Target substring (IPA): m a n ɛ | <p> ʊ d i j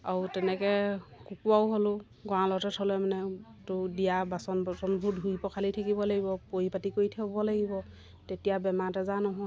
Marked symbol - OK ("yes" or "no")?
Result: no